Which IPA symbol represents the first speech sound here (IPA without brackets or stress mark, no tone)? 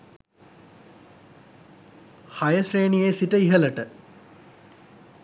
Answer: h